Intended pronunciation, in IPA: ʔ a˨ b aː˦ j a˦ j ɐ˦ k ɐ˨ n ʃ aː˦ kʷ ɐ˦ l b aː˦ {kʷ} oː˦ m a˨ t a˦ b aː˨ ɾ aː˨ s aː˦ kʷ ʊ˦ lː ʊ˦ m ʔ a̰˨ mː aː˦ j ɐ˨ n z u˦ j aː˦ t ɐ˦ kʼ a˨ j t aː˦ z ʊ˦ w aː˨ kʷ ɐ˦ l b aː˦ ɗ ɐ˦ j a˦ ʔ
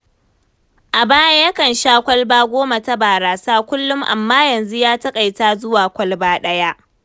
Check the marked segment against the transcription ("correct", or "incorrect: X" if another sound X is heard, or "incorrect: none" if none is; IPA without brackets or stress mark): incorrect: ɡʷ